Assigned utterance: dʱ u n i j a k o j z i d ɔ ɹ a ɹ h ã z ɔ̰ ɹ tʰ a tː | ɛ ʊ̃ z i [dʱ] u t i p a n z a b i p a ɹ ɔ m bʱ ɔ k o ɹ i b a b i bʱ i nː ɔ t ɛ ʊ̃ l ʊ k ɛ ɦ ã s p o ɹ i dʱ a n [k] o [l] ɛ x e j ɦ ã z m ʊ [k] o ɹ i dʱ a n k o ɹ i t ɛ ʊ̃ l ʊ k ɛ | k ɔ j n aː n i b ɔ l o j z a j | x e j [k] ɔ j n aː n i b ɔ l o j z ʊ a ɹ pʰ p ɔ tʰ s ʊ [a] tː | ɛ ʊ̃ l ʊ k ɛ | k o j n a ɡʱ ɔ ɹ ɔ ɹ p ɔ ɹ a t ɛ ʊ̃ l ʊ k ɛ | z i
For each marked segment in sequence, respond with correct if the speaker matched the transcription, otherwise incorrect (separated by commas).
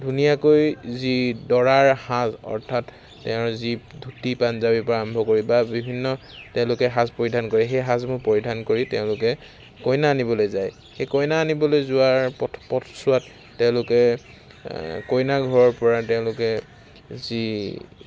correct, correct, incorrect, incorrect, correct, correct